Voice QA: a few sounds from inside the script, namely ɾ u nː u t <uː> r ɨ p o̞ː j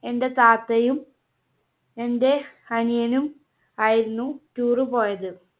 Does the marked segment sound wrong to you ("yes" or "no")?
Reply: no